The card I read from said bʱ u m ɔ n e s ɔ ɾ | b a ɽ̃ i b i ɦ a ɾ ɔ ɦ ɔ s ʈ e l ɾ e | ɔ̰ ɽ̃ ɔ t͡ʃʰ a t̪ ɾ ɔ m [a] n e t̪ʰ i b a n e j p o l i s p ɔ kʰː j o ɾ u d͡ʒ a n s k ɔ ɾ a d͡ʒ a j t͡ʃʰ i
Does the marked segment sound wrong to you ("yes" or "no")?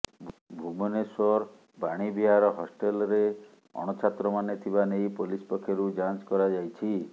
no